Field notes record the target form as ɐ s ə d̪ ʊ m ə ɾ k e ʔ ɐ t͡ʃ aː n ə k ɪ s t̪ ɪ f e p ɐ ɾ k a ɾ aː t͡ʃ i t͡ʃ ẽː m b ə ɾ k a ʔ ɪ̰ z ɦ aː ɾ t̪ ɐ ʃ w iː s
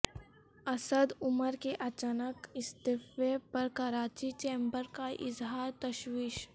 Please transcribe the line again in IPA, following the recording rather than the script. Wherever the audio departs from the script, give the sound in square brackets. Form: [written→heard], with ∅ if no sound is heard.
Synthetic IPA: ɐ s ə d̪ ʊ m ə ɾ k e ʔ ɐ t͡ʃ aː n ə k ɪ s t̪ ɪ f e p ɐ ɾ k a ɾ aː t͡ʃ i t͡ʃ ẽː m b ə ɾ k a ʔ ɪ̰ z ɦ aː ɾ t̪ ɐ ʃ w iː [s→ʃ]